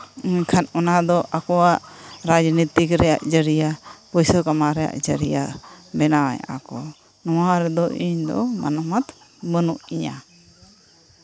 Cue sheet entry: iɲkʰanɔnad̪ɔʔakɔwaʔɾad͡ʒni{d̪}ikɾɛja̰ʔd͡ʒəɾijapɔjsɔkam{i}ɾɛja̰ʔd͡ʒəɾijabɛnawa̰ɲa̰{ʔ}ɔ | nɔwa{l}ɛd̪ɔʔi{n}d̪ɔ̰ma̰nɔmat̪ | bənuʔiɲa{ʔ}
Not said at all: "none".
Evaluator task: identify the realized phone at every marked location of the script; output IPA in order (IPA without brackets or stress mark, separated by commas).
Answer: t̪, a, k, ɾ, ɲ, none